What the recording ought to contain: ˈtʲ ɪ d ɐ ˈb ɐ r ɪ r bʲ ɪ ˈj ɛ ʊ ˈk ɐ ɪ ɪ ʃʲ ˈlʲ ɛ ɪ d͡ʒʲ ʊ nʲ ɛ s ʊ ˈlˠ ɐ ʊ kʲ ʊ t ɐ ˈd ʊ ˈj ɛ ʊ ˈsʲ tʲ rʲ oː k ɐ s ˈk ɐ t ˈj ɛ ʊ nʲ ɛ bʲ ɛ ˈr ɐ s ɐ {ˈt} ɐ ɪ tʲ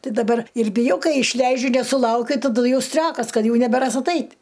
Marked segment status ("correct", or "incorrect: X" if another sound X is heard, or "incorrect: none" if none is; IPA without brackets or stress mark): correct